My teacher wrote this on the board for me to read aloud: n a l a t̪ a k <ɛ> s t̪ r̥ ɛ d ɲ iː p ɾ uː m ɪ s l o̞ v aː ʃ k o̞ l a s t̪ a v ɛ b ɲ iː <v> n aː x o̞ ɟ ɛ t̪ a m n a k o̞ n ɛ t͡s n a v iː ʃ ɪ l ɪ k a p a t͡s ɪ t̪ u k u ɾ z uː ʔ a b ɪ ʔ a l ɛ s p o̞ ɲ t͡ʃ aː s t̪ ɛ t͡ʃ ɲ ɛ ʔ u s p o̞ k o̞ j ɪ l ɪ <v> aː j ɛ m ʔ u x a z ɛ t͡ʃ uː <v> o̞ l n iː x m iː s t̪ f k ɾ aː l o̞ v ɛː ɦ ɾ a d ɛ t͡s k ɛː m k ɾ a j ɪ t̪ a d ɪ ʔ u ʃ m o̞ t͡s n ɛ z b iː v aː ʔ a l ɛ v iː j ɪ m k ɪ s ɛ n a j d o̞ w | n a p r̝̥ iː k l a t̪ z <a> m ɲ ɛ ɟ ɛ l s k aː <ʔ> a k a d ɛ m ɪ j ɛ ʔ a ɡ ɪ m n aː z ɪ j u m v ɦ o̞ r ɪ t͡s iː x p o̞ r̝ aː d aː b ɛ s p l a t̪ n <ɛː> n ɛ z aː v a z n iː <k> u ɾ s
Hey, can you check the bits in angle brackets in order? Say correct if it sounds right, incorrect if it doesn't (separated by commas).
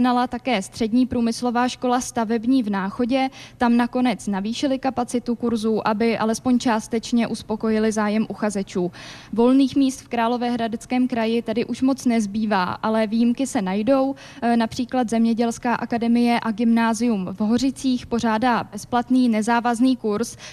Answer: incorrect, correct, incorrect, correct, incorrect, correct, incorrect, correct